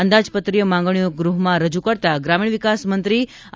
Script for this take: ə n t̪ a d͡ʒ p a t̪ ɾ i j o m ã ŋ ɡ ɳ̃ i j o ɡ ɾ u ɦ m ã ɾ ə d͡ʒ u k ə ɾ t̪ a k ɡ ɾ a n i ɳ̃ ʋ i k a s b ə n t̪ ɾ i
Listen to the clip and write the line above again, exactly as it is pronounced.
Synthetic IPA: ə n d̪ a d͡ʒ p ə t̪ ɾ i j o m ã ŋ ɡ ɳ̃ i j o ɡ ɾ u ɦ m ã ɾ ə d͡ʒ u k ə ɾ t̪ a ɡ ɾ a m i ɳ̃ ʋ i k a s m ə n t̪ ɾ i

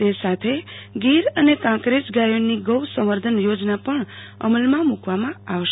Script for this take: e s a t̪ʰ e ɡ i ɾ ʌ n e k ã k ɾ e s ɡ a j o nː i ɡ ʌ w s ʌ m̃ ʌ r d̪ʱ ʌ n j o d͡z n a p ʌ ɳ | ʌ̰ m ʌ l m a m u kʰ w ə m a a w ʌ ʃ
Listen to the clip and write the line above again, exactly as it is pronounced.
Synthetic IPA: e s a t̪ʰ e ɡ i ɾ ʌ n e k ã k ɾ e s ɡ a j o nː i ɡ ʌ w s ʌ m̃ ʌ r d̪ʱ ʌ n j o d͡z n a p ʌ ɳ | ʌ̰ m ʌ l m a m u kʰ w a m a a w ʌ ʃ

